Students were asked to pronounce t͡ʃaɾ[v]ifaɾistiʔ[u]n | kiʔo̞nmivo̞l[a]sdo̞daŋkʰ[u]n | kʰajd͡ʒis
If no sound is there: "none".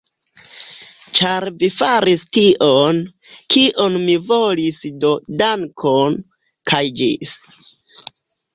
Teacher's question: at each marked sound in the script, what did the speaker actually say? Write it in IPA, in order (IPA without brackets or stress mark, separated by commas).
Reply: v, o, i, o